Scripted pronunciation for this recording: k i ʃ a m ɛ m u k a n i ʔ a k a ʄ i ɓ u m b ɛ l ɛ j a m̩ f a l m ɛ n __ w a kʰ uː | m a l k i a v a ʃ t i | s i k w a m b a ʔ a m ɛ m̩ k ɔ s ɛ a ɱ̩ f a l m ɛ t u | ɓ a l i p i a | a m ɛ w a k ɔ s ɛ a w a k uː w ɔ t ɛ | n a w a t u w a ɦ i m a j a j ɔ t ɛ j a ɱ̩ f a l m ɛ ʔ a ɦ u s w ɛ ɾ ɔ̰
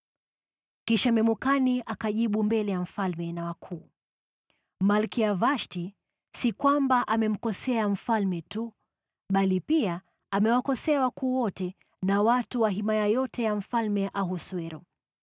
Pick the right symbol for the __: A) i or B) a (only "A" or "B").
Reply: B